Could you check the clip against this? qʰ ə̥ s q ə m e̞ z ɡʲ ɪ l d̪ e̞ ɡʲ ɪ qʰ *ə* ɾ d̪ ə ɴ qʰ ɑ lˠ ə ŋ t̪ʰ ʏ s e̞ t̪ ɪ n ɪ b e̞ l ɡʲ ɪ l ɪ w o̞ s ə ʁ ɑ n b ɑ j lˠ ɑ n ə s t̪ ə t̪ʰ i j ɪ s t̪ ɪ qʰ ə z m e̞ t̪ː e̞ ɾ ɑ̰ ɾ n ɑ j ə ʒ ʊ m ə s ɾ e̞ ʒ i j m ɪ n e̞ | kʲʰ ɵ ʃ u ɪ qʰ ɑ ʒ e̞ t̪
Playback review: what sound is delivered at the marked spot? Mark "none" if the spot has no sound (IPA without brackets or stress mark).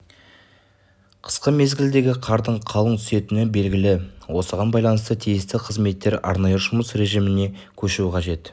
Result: ɑ